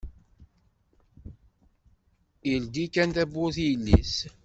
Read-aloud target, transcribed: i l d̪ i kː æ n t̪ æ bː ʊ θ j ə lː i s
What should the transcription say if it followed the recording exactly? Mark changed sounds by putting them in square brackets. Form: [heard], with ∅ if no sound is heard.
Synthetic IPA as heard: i l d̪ i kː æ n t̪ æ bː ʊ θ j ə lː i s